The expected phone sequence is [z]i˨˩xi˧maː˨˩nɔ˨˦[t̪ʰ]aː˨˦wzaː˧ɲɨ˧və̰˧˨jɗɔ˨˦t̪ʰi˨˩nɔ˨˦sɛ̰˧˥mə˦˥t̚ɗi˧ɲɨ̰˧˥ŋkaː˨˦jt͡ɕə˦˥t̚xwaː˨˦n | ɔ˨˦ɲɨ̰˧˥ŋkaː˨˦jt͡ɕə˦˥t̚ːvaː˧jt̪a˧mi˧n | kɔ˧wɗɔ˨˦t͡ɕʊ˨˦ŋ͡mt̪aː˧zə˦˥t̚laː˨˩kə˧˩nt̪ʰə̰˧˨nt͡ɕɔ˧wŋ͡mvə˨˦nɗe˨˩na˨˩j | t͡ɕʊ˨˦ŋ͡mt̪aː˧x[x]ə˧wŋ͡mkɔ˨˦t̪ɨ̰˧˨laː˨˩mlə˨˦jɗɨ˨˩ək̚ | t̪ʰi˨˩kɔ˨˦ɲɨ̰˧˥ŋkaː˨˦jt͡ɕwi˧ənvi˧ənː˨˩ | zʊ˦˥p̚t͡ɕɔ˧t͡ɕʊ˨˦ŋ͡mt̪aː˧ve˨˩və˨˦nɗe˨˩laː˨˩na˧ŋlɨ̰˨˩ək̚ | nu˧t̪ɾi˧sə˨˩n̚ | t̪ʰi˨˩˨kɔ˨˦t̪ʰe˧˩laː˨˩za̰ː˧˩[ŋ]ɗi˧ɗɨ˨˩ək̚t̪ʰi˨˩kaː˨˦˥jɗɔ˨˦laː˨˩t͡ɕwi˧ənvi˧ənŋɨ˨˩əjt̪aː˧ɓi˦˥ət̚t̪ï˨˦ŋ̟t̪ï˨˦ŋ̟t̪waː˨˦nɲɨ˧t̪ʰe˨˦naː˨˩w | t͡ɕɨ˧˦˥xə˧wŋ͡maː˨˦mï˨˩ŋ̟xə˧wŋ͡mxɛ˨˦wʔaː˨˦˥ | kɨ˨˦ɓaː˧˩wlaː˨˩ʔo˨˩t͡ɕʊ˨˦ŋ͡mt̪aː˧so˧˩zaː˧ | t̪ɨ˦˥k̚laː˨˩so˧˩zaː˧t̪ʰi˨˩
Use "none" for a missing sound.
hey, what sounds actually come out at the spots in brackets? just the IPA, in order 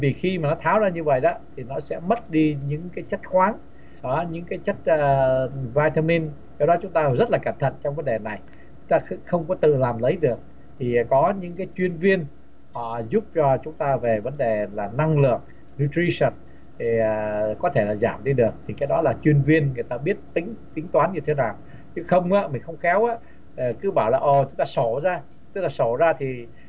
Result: v, t̪ʰ, x, m

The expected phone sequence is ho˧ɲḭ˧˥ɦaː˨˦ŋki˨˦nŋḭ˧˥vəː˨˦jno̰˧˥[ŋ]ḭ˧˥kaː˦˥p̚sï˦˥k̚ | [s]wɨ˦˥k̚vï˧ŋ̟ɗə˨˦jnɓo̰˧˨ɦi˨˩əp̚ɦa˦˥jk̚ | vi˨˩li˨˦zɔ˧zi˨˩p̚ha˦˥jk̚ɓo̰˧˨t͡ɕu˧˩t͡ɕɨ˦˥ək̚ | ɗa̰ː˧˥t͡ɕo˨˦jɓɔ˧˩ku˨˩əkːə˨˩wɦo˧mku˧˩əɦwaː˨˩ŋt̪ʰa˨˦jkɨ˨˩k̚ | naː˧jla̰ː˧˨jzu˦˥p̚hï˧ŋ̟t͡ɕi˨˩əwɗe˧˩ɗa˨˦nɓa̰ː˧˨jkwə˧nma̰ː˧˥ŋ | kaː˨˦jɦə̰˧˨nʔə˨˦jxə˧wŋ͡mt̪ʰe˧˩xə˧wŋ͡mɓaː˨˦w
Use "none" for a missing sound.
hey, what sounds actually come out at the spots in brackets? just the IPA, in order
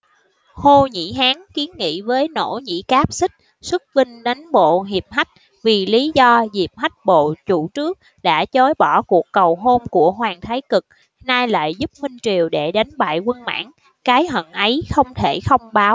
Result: ɲ, s

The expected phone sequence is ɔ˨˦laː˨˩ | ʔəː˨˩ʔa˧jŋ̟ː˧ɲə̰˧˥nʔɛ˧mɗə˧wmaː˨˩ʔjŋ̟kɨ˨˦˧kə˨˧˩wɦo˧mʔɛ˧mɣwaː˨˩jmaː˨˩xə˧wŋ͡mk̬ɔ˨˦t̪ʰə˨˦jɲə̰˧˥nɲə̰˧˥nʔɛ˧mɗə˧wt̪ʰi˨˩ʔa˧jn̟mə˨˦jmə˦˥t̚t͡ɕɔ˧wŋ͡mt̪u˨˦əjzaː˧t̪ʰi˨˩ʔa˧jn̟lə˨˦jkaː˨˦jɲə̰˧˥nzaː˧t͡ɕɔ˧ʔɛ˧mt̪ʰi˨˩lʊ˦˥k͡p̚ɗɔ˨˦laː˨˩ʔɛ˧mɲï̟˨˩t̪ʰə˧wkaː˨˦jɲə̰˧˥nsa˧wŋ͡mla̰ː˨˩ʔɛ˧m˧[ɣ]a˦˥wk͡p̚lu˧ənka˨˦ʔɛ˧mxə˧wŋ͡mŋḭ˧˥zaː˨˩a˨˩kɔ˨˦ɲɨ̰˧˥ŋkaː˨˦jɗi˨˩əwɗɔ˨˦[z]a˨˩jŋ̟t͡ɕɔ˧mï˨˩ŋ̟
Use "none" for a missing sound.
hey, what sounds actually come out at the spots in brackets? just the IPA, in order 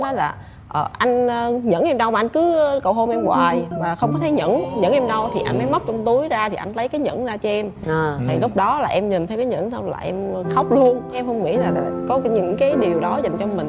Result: x, z

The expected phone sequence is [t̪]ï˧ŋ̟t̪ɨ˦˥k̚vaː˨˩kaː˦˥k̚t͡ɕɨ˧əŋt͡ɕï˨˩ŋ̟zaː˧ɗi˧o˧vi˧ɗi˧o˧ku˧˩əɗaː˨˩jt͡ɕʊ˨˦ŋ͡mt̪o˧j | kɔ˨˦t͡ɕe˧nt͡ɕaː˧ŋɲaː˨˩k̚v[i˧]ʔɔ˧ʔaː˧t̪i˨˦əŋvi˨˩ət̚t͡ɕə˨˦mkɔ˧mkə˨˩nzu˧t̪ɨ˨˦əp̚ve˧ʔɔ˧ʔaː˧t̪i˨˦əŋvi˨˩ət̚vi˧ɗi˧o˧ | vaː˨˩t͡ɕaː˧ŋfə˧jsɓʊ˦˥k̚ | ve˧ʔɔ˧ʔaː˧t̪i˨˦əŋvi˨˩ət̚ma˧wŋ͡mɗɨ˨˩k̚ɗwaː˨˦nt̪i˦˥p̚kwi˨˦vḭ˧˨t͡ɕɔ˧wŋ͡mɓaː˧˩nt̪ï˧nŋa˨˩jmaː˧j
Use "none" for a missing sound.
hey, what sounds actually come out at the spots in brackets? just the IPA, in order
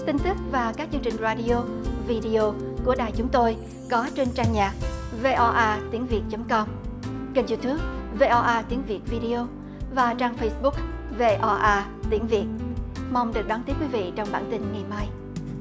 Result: t̪, e˧

